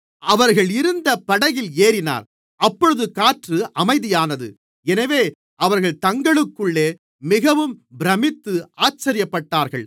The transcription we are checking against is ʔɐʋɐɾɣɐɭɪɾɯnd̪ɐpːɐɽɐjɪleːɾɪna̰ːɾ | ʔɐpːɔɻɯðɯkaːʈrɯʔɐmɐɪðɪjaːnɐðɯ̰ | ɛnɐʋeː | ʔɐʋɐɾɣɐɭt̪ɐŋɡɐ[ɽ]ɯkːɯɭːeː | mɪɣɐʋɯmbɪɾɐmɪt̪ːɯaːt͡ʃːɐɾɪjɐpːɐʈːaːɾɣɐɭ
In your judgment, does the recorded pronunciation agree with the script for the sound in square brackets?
no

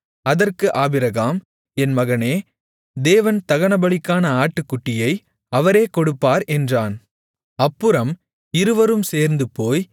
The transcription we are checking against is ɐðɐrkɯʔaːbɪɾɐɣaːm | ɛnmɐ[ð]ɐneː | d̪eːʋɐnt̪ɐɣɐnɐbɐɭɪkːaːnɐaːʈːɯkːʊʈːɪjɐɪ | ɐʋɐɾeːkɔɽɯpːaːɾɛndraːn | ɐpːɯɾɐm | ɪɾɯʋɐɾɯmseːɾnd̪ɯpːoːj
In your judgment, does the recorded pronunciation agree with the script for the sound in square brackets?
no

